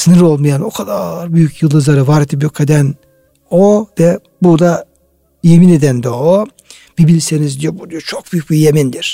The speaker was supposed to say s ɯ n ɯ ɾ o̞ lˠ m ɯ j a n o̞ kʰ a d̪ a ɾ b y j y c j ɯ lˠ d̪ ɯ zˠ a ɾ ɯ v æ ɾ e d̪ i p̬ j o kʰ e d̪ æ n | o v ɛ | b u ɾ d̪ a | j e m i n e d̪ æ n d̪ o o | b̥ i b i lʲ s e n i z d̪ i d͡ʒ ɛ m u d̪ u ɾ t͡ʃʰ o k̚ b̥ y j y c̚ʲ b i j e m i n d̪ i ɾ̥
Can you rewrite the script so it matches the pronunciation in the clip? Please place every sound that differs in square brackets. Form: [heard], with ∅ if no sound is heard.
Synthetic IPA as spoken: s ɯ n ɯ ɾ o̞ lˠ m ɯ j a n o̞ kʰ a d̪ a ɾ b y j y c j ɯ lˠ d̪ ɯ zˠ a ɾ ɯ v [a] ɾ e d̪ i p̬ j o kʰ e d̪ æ n | o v ɛ | b u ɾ d̪ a | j e m i n e d̪ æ n d̪ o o | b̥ i b i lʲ s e n i z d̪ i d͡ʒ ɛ [b] u d̪ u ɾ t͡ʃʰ o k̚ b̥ y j y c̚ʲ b i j e m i n d̪ i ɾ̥